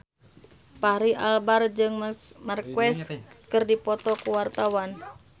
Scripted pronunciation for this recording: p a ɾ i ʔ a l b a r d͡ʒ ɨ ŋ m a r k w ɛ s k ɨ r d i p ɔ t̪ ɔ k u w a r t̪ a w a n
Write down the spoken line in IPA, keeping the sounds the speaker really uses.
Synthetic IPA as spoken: p a ɾ i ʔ a l b a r d͡ʒ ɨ ŋ m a r k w ɛ s k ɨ r d i p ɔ t̪ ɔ k u w a r t̪ a w a n